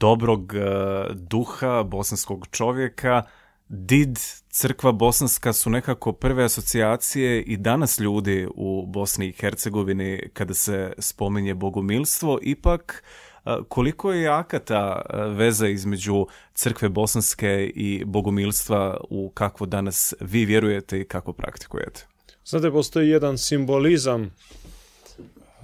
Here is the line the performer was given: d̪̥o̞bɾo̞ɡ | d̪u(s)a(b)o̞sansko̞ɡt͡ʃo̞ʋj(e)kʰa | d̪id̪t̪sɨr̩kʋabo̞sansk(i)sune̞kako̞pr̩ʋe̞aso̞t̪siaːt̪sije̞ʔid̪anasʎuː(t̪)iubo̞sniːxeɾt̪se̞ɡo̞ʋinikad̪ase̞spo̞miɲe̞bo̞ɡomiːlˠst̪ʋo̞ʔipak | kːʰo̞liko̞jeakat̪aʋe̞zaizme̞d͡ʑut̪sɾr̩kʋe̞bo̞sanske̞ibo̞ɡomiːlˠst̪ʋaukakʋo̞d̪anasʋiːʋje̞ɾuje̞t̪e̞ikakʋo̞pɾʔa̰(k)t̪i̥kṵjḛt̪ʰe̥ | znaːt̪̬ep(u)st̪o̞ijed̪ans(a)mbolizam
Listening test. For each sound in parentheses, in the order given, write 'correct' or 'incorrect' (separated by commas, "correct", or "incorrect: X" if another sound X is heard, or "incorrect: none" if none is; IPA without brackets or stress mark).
incorrect: x, correct, correct, incorrect: a, incorrect: d̪, correct, incorrect: o, incorrect: i